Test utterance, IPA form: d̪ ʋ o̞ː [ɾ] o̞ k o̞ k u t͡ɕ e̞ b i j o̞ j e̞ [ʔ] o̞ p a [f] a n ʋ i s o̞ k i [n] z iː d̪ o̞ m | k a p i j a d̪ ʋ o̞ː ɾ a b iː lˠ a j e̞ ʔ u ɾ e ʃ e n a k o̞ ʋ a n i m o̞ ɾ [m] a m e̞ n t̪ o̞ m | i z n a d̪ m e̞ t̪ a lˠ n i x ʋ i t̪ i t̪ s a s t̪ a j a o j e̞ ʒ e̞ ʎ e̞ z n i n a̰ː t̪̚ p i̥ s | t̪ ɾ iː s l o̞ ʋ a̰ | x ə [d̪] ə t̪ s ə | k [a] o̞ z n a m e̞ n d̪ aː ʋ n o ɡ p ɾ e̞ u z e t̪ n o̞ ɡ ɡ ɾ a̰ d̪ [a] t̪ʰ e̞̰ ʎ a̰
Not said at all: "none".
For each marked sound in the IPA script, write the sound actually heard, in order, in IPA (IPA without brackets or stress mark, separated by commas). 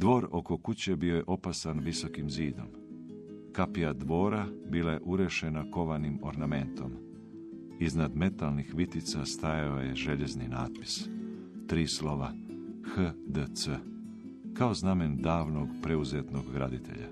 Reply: ɾ, ʔ, s, m, n, d̪, a, i